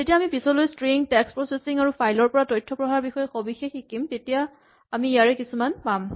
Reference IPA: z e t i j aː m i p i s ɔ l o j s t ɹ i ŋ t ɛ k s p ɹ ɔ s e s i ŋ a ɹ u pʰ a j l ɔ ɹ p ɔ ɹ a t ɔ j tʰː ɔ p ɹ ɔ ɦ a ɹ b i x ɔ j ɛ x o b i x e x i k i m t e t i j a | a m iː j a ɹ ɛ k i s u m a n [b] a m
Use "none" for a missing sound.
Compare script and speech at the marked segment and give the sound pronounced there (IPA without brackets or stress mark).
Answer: p